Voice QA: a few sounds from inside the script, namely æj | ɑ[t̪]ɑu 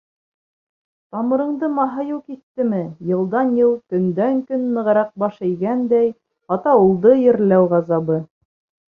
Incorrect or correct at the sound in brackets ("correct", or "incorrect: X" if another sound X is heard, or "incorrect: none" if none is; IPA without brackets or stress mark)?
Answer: correct